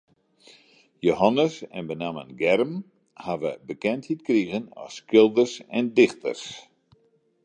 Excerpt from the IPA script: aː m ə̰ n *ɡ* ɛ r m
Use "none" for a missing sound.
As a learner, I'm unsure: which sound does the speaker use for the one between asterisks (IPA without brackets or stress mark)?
ɡ